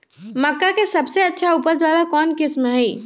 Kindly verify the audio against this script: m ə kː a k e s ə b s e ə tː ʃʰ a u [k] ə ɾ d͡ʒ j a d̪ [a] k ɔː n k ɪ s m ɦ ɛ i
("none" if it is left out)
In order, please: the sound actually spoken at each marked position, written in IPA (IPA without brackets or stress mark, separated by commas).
p, a